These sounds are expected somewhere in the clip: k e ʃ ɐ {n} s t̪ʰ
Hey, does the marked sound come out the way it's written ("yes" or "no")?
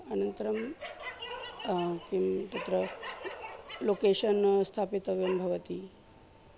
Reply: yes